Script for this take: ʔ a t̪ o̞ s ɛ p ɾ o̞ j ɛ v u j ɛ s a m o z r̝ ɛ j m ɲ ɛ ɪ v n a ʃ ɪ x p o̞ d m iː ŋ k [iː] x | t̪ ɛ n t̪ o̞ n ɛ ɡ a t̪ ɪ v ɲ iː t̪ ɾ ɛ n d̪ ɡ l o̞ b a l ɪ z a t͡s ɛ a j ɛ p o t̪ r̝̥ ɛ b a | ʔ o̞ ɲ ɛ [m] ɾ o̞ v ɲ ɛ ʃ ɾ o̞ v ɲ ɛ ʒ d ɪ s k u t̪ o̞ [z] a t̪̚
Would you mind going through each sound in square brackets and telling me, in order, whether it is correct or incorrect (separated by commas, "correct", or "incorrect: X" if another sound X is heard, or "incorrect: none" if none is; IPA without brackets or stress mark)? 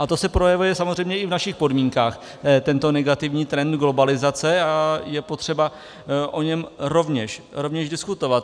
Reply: incorrect: aː, correct, incorrect: v